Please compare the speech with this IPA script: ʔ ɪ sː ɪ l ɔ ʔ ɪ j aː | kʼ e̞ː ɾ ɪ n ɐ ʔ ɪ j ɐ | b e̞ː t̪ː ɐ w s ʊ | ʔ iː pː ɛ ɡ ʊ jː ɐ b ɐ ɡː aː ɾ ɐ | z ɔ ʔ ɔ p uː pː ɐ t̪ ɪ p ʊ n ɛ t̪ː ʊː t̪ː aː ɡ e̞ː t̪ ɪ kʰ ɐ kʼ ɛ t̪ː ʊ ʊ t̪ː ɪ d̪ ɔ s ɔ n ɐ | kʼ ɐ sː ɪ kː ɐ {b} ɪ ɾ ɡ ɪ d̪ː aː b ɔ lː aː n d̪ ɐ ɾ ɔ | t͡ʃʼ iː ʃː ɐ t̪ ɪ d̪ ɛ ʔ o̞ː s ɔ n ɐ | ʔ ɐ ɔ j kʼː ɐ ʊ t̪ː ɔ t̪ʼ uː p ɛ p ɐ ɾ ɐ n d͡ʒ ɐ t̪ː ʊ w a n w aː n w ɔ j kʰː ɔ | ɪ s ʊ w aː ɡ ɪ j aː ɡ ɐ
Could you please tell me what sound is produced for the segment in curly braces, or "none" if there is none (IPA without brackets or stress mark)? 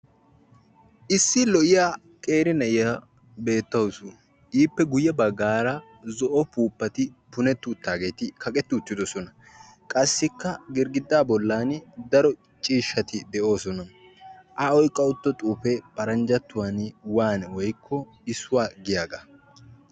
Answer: ɡ